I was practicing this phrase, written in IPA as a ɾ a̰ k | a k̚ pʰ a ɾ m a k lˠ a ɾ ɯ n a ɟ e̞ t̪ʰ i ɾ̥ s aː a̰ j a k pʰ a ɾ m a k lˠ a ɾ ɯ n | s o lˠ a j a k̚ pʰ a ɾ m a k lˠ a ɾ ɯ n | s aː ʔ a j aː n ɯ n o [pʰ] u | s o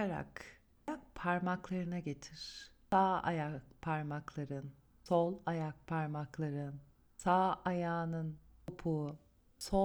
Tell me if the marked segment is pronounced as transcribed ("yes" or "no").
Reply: yes